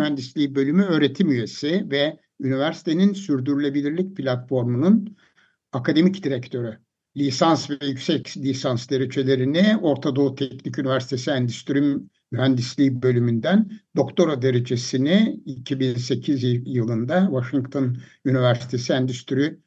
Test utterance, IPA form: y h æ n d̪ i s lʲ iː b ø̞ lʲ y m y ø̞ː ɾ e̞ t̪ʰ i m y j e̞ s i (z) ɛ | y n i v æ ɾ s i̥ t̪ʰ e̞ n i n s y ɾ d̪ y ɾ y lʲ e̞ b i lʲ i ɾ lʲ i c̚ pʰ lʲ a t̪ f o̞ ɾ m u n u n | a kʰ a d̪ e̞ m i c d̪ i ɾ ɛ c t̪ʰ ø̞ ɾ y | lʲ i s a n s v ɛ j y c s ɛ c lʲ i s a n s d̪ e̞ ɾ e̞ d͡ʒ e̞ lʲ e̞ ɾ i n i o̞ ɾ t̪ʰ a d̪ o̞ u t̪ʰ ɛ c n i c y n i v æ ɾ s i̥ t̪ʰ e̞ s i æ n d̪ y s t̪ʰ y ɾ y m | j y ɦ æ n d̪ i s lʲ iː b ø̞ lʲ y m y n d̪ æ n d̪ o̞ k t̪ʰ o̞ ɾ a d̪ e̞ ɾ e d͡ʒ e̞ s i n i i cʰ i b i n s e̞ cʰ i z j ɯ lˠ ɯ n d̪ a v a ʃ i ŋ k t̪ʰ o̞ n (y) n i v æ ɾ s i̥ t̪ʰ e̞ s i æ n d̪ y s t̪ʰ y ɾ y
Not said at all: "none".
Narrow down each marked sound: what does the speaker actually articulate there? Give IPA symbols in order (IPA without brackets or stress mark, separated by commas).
v, y